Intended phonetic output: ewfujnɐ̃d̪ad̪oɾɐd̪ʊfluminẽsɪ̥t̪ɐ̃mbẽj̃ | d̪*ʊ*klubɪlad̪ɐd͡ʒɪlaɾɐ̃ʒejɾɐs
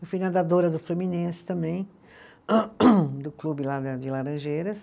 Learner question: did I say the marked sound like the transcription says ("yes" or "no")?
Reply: yes